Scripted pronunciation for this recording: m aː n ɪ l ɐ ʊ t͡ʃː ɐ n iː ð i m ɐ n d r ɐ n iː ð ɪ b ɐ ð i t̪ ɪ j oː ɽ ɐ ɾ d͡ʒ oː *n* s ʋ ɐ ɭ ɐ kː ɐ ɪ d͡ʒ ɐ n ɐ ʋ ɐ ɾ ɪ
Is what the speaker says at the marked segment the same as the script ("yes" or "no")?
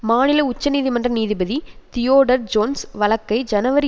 yes